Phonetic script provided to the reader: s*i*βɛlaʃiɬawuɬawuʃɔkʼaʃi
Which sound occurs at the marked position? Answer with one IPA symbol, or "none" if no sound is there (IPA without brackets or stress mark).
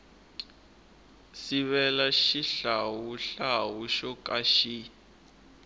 i